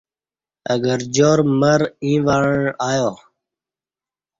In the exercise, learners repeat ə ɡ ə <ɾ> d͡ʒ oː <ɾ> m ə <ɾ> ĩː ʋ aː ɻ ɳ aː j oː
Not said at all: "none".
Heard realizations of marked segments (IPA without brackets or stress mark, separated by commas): ɾ, ɾ, ɾ